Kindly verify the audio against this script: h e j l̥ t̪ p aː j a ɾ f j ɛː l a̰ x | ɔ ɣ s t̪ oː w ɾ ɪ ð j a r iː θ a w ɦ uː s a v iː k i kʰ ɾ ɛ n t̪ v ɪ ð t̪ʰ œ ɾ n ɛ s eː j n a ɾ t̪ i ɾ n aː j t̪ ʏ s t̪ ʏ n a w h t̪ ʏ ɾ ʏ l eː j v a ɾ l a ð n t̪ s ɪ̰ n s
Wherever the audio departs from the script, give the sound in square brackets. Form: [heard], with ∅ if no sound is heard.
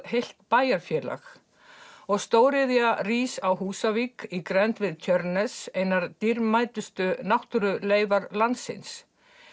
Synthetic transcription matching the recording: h e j l̥ t̪ p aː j a ɾ f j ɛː l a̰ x | ɔ ɣ s t̪ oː w ɾ ɪ ð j a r iː [s] a w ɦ uː s a v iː k i [k] ɾ ɛ n t̪ v ɪ ð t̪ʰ œ ɾ n ɛ s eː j n a ɾ t̪ i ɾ [m] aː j t̪ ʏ s t̪ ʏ n a w h t̪ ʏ ɾ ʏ l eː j v a ɾ l a [∅] n t̪ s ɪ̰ n s